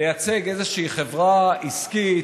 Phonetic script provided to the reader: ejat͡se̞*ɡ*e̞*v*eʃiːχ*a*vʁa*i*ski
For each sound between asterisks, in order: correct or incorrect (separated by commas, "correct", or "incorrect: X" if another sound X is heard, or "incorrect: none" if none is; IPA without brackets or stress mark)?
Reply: correct, incorrect: z, incorrect: e, correct